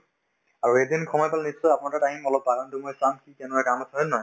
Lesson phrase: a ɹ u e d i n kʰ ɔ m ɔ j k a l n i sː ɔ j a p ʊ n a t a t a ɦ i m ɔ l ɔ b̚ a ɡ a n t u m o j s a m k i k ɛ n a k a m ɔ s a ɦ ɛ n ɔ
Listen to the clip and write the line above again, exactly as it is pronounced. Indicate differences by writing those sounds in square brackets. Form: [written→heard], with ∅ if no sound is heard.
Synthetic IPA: a ɹ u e d i n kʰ ɔ m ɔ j [k→p] a l n i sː ɔ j a p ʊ n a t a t a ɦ i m ɔ l ɔ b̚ a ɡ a n t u m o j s a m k i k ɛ n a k a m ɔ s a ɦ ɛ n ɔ